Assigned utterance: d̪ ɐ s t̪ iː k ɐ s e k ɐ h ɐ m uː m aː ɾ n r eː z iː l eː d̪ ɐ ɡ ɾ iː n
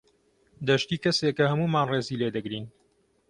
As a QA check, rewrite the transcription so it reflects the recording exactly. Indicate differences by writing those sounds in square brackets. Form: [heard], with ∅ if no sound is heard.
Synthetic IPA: d̪ ɐ [ʃ] t̪ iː k ɐ s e k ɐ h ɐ m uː m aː [∅] n r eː z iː l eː d̪ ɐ ɡ ɾ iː n